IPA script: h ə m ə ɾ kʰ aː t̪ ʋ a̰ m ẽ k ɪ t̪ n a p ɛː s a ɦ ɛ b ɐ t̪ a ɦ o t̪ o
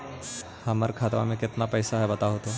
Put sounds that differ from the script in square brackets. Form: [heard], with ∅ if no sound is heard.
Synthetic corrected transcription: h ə m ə ɾ kʰ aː t̪ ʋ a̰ m ẽ k ɪ t̪ n a p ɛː s a ɦ ɛ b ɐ t̪ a ɦ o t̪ o